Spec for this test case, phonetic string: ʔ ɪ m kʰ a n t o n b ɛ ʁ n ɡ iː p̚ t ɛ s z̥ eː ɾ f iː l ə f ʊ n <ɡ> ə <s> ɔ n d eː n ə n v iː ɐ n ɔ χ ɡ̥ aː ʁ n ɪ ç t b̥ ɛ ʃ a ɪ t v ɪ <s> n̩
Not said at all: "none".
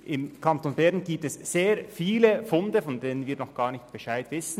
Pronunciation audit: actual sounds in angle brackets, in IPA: d, f, s

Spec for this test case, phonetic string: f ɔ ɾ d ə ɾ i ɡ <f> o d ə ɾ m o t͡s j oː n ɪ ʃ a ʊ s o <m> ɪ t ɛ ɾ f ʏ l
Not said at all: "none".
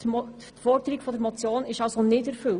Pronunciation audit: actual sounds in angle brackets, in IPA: f, n

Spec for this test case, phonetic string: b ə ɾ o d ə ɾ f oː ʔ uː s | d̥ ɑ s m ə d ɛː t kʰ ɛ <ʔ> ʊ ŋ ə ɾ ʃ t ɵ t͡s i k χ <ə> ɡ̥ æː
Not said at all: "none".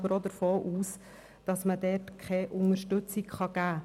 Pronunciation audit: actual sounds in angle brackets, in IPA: ʔ, ɑ

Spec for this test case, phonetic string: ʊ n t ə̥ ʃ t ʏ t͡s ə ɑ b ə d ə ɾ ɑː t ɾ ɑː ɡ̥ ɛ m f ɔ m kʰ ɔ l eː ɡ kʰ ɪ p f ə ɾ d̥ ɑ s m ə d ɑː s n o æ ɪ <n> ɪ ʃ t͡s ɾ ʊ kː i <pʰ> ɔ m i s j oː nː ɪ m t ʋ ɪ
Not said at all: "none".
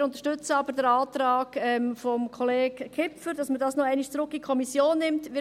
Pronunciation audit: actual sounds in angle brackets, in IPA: n, kʰ

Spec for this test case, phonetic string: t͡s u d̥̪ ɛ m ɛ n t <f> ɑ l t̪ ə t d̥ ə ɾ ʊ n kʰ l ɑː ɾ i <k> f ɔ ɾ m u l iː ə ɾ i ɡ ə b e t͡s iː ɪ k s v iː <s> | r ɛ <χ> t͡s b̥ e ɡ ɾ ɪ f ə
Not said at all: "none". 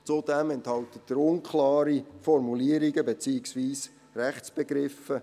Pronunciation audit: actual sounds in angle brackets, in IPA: h, none, s, χ

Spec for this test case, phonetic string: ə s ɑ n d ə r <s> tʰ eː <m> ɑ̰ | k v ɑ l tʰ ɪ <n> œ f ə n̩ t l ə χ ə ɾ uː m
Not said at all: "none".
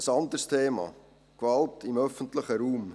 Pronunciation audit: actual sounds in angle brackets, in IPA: s, m, m

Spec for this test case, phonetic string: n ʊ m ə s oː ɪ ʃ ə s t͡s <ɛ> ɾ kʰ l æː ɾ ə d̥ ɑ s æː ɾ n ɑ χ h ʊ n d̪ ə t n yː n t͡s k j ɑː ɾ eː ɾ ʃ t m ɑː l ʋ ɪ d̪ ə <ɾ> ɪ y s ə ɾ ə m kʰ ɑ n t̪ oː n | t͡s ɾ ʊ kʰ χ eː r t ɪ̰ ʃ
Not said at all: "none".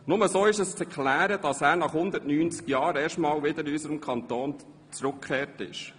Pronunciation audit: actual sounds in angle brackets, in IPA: ɛ, ɾ

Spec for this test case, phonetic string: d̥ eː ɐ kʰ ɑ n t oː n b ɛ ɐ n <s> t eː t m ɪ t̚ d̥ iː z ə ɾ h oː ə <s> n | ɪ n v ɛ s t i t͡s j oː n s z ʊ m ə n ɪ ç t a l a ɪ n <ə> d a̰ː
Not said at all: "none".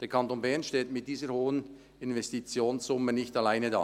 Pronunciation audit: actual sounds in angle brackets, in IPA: ʃ, none, ə

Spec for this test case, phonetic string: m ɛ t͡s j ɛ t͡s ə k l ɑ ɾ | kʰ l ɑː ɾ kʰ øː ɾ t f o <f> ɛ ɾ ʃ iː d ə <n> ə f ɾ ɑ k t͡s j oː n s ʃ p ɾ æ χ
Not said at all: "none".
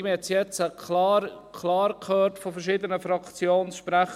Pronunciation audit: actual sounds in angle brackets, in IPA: f, n

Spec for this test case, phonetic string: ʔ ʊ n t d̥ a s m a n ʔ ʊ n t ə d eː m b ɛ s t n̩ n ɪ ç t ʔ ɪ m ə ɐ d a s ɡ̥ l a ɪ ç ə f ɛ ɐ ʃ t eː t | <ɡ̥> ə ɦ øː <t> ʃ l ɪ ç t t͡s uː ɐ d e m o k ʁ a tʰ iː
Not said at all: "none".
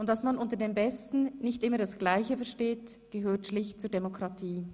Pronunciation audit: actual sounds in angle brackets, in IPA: ɡ̥, t

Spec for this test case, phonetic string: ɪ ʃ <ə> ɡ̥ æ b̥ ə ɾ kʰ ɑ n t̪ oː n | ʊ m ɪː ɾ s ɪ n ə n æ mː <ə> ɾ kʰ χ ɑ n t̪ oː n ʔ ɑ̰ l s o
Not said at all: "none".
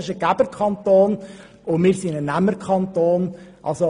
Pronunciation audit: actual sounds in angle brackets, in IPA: ə, ə

